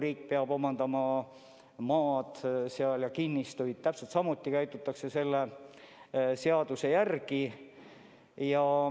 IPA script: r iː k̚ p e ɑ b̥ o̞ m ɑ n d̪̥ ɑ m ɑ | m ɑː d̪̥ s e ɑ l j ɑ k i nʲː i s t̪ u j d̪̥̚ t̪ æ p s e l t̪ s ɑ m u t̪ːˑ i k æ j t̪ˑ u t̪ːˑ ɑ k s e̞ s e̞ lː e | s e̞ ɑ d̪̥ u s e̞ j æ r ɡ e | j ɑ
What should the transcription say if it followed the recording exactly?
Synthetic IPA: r iː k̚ p e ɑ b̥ o̞ m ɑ n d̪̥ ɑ m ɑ | m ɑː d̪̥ s e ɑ l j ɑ k i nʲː i s t̪ u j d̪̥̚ t̪ æ p s e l t̪ s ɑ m u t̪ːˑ i k æ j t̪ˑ u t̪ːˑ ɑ k s e̞ s e̞ lː e | s e̞ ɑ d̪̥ u s e̞ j æ r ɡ i | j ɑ